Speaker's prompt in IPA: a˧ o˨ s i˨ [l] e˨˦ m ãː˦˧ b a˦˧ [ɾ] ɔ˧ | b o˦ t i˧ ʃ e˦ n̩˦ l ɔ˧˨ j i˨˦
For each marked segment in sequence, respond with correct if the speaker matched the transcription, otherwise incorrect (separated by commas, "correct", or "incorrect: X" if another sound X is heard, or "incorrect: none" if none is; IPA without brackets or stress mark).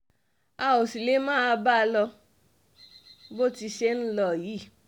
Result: correct, incorrect: l